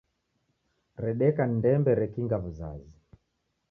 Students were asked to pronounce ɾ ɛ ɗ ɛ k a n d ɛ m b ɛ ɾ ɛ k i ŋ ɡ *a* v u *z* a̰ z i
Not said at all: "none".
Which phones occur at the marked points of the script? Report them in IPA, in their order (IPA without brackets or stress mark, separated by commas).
a, z